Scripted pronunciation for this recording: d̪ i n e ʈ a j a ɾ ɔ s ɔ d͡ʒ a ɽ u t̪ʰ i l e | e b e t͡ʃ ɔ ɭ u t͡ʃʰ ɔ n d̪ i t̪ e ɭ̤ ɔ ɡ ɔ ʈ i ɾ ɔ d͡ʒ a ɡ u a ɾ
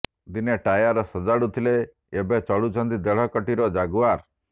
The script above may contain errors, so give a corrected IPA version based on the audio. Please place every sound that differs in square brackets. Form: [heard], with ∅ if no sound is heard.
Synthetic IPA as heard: d̪ i n e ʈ a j a ɾ ɔ s ɔ d͡ʒ a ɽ u t̪ʰ i l e | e b e t͡ʃ ɔ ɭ u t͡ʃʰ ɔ n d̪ i [d̪] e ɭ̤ ɔ [k] ɔ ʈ i ɾ ɔ d͡ʒ a ɡ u a ɾ

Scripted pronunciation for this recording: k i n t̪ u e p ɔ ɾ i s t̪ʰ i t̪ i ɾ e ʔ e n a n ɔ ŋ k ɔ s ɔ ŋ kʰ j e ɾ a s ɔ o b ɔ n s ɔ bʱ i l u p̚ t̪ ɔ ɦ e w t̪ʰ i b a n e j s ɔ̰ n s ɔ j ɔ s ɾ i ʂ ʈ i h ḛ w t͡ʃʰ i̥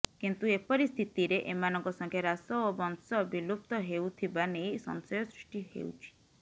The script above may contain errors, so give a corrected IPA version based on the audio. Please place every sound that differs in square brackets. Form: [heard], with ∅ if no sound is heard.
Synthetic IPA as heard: k i n t̪ u e p ɔ ɾ i s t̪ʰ i t̪ i ɾ e ʔ e [m] a n ɔ ŋ k ɔ s ɔ ŋ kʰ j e ɾ a s ɔ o b ɔ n s ɔ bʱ i l u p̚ t̪ ɔ ɦ e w t̪ʰ i b a n e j s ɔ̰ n s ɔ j ɔ s ɾ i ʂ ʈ i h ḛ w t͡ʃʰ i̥

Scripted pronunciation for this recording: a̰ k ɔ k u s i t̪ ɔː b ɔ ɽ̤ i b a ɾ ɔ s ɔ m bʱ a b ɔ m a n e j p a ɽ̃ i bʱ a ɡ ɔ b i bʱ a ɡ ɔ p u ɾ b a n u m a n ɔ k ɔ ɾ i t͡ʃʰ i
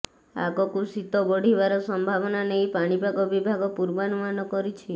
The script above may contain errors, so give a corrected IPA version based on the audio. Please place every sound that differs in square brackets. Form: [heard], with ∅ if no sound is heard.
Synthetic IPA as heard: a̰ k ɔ k u s i t̪ [ɔ] b ɔ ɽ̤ i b a ɾ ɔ s ɔ m bʱ a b ɔ [n] a n e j p a ɽ̃ i bʱ a ɡ ɔ b i bʱ a ɡ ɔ p u ɾ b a n u m a n ɔ k ɔ ɾ i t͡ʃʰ i

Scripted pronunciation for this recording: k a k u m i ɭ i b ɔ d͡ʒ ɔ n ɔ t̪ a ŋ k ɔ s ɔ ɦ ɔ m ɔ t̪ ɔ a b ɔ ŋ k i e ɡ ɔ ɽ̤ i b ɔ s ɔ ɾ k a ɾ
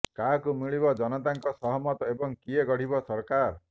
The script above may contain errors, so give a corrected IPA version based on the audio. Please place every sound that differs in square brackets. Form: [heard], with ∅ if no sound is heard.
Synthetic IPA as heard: k a k u m i ɭ i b ɔ d͡ʒ ɔ n ɔ t̪ a ŋ k ɔ s ɔ ɦ ɔ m ɔ t̪ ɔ [e] b ɔ ŋ k i e ɡ ɔ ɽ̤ i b ɔ s ɔ ɾ k a ɾ

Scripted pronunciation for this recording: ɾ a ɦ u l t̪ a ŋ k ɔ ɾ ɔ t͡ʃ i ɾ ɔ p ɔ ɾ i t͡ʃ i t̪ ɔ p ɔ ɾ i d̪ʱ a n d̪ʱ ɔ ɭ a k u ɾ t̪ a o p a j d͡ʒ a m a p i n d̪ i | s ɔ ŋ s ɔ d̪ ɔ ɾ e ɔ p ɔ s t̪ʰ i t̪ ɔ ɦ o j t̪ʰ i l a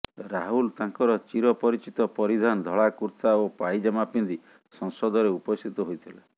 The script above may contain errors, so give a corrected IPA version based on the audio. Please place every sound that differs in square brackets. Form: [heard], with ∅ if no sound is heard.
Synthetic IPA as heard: ɾ a ɦ u l t̪ a ŋ k ɔ ɾ ɔ t͡ʃ i ɾ ɔ p ɔ ɾ i t͡ʃ i t̪ ɔ p ɔ ɾ i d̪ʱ a n d̪ʱ ɔ ɭ a k u ɾ t̪ a o p a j d͡ʒ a m a p i n d̪ i | s ɔ ŋ s ɔ d̪ ɔ ɾ e [u] p ɔ s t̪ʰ i t̪ ɔ ɦ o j t̪ʰ i l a

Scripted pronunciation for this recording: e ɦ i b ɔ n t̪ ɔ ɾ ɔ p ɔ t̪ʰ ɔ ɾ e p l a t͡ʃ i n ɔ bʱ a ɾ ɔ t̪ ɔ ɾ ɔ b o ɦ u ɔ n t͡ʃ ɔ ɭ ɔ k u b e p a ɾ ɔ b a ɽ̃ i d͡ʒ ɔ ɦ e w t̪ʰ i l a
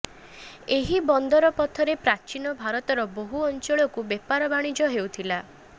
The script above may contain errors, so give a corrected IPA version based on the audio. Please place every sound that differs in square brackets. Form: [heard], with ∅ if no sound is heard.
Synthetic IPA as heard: e ɦ i b ɔ n [d̪] ɔ ɾ ɔ p ɔ t̪ʰ ɔ ɾ e p [ɾ] a t͡ʃ i n ɔ bʱ a ɾ ɔ t̪ ɔ ɾ ɔ b o ɦ u ɔ n t͡ʃ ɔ ɭ ɔ k u b e p a ɾ ɔ b a ɽ̃ i d͡ʒ ɔ ɦ e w t̪ʰ i l a

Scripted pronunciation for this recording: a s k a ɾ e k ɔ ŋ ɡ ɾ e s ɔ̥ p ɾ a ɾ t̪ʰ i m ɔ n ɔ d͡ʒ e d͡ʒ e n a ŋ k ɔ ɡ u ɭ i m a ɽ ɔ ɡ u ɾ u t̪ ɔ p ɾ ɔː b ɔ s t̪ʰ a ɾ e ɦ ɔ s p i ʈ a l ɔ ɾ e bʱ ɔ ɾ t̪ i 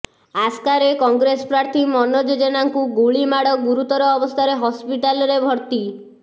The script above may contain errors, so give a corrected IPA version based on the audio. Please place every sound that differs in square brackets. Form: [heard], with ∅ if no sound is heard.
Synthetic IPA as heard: a s k a ɾ e k ɔ ŋ ɡ ɾ e s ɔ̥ p ɾ a ɾ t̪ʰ i m ɔ n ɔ d͡ʒ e d͡ʒ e n a ŋ k [u] ɡ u ɭ i m a ɽ ɔ ɡ u ɾ u t̪ ɔ [∅] ɾ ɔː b ɔ s t̪ʰ a ɾ e ɦ ɔ s p i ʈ a l ɔ ɾ e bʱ ɔ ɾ t̪ i

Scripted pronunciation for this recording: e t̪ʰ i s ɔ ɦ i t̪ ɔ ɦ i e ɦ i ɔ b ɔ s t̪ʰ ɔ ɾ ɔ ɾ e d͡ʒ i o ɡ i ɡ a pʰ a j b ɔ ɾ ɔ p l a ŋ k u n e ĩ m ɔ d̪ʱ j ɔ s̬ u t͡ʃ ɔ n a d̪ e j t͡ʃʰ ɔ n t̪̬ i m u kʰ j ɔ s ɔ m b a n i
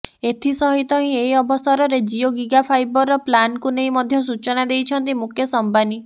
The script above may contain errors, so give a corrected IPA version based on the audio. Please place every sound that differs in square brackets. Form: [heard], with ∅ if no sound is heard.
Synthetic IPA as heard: e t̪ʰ i s ɔ ɦ i t̪ ɔ ɦ [ĩ] e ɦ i ɔ b ɔ s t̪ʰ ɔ ɾ ɔ ɾ e d͡ʒ i o ɡ i ɡ a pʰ a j b ɔ ɾ ɔ p l a [n] k u n e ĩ m ɔ d̪ʱ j ɔ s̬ u t͡ʃ ɔ n a d̪ e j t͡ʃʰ ɔ n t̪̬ i m u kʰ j ɔ s ɔ m b a n i

